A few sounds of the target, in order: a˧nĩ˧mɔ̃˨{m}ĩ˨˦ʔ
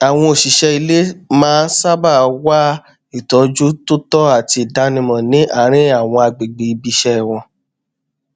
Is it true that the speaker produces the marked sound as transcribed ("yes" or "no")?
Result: no